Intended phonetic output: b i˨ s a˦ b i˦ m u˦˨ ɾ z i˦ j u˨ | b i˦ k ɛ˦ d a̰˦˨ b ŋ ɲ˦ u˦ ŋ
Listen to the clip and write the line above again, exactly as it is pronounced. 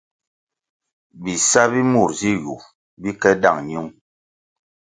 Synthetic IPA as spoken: b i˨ s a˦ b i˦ m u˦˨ ɾ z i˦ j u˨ | b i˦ k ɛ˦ d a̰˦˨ ŋ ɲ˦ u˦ ŋ